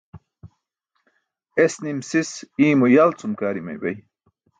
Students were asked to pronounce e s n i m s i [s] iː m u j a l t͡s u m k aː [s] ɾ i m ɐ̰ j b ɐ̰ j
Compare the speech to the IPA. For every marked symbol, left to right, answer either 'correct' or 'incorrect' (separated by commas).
correct, incorrect